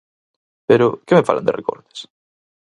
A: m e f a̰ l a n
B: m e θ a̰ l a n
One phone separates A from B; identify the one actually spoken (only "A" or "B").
A